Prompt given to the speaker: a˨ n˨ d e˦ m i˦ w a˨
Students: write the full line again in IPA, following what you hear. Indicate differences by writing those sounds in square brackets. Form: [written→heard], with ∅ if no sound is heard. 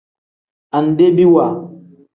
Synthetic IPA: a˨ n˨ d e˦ [m→b] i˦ w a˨